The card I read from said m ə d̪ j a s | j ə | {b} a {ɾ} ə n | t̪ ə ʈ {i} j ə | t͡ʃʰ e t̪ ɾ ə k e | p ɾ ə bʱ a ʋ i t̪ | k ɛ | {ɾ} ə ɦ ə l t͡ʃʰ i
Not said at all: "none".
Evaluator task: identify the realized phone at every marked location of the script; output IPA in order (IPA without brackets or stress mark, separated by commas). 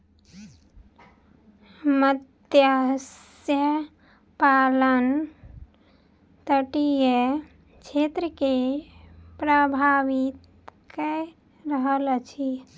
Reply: p, l, i, ɾ